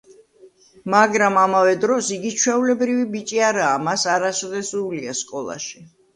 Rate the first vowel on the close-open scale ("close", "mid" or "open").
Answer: open